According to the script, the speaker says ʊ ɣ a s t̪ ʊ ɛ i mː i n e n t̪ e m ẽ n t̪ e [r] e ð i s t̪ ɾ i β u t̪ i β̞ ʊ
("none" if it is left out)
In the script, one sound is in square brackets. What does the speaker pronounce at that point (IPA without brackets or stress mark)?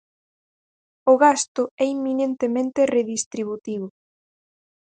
r